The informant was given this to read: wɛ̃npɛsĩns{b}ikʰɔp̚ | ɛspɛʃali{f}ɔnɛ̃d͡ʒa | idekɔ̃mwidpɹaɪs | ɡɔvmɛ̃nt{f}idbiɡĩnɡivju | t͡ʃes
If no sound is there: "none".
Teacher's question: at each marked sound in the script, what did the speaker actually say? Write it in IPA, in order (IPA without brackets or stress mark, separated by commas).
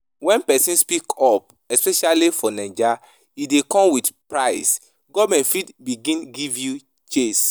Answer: p, f, f